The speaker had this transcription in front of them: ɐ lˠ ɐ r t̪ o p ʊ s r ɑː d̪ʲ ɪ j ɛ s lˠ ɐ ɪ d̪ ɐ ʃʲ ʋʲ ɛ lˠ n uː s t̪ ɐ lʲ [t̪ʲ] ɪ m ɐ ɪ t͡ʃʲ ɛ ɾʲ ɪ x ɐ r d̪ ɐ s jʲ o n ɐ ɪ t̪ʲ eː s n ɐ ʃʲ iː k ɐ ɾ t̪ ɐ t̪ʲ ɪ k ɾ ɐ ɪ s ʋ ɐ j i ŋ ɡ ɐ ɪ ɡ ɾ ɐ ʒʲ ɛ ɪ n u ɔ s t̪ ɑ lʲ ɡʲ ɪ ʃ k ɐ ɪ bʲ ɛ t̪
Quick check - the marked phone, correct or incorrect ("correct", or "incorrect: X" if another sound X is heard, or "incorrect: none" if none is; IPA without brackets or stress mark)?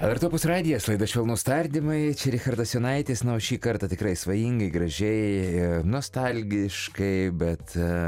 incorrect: d̪ʲ